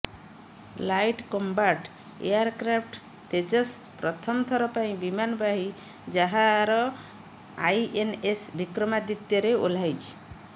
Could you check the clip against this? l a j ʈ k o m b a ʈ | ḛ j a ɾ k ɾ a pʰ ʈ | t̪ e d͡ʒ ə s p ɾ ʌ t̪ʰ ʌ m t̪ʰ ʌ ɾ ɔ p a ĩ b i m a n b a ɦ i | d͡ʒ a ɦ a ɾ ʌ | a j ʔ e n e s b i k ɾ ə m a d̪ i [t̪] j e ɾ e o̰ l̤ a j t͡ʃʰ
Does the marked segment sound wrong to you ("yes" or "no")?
no